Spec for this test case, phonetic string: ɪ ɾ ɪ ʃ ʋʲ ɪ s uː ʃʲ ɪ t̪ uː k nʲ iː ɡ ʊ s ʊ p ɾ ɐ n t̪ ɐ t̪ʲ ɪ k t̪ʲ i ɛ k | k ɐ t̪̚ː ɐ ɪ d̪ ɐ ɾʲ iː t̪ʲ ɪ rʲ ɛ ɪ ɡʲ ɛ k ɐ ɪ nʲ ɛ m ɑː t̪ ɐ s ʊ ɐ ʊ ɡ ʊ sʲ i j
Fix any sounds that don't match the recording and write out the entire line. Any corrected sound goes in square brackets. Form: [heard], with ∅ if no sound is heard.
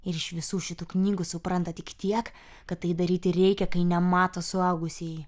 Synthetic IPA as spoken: ɪ ɾ ɪ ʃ ʋʲ ɪ s uː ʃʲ ɪ t̪ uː k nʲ iː ɡ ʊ s ʊ p ɾ ɐ n t̪ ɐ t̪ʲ ɪ k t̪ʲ i ɛ k | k ɐ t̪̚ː ɐ ɪ d̪ ɐ ɾʲ iː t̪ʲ ɪ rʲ ɛ ɪ [kʲ] ɛ k ɐ ɪ nʲ ɛ m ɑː t̪ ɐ s ʊ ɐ ʊ ɡ ʊ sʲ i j